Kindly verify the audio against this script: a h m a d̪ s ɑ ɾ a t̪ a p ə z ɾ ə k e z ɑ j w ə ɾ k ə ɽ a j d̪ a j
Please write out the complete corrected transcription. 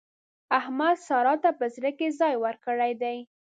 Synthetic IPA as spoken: a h m a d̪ s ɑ ɾ ɑ t̪ a p ə z ɾ ə k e z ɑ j w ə ɾ k ə ɽ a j d̪ a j